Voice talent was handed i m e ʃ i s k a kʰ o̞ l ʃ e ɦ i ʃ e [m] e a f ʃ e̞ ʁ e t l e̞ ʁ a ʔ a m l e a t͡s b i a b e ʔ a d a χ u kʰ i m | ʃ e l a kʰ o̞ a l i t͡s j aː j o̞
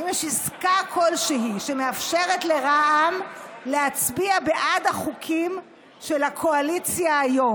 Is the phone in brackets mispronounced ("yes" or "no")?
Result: no